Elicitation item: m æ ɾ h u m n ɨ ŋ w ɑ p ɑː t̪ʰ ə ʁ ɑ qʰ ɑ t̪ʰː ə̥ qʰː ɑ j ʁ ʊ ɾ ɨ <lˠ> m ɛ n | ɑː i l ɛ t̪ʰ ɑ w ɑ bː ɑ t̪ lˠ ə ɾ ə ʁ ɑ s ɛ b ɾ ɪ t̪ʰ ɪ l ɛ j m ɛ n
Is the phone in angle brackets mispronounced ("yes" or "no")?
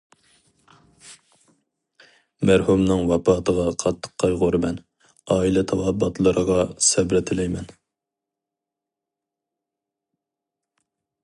yes